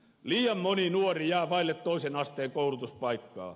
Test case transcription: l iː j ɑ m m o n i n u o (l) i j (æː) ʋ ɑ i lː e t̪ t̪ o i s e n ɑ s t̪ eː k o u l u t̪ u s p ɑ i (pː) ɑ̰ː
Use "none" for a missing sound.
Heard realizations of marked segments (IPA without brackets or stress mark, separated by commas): r, æː, kː